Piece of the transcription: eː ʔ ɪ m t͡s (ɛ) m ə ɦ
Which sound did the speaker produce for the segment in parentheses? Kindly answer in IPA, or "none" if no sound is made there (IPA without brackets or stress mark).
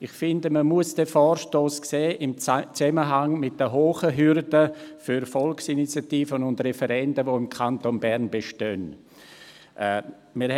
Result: ɛ